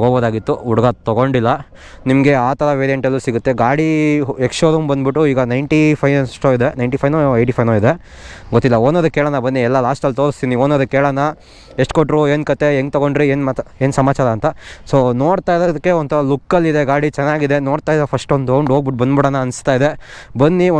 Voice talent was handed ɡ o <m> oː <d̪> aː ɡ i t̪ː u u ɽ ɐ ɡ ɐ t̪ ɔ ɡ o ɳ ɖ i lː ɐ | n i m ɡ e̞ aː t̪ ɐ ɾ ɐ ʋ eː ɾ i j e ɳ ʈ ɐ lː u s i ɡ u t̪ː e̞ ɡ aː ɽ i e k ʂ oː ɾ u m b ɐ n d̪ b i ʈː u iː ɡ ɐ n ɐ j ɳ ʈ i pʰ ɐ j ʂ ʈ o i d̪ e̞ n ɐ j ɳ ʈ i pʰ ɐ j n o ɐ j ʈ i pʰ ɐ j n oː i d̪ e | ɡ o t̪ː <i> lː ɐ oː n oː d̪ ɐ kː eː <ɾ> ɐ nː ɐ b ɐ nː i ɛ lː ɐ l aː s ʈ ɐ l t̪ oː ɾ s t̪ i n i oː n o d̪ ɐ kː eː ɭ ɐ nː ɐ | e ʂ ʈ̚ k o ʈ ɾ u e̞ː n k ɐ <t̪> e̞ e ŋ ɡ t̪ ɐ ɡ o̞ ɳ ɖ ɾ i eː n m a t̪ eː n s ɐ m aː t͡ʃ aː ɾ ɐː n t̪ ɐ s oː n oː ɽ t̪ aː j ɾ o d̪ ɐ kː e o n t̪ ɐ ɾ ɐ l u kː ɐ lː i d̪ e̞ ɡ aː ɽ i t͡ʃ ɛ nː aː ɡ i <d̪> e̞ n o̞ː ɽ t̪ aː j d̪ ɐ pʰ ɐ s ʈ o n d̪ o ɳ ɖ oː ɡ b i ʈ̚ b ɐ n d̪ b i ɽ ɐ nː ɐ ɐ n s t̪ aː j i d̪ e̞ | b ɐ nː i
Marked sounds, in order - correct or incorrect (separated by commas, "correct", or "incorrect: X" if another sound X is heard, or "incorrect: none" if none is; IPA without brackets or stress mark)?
incorrect: b, correct, correct, incorrect: ɭ, correct, correct